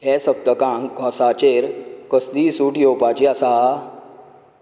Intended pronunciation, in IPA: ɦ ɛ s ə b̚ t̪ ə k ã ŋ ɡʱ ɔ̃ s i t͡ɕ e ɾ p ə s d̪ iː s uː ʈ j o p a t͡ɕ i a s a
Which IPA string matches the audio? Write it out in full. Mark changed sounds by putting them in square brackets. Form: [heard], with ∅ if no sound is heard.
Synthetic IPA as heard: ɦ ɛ s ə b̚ t̪ ə k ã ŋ ɡʱ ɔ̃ s [a] t͡ɕ e ɾ [k] ə s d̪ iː s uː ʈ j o p a t͡ɕ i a s a